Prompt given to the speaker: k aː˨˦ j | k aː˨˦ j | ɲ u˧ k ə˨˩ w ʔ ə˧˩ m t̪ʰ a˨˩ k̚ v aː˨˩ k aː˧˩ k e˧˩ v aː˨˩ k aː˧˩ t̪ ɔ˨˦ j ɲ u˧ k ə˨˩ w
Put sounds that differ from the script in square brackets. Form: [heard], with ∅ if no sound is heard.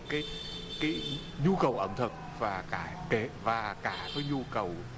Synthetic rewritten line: k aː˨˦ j | k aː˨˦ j | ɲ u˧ k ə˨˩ w ʔ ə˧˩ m t̪ʰ [ə˨˩] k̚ v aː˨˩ k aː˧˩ k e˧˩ v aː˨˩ k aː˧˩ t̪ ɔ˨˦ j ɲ u˧ k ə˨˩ w